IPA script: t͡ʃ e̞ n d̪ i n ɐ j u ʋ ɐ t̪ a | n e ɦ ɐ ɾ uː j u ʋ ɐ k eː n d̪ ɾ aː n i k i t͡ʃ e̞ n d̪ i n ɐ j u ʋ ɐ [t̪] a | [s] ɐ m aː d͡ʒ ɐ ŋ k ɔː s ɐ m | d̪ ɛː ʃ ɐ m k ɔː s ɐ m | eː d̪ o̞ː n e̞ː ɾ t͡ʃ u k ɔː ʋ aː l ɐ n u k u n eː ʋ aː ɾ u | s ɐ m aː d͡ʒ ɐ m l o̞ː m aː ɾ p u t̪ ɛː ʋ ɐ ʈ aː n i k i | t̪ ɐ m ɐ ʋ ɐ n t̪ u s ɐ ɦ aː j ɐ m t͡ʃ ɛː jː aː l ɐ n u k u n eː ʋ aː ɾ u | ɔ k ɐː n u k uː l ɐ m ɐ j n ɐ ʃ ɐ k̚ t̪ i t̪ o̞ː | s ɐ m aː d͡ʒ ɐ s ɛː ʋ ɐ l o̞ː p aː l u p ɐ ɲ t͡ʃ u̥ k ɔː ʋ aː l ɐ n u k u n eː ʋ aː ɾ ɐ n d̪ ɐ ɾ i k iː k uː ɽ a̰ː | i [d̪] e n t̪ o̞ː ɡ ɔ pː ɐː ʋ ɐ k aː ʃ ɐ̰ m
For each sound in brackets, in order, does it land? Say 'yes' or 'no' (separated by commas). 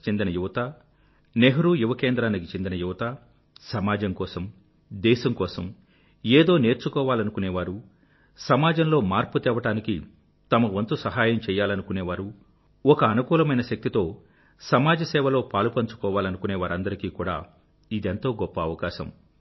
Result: yes, yes, yes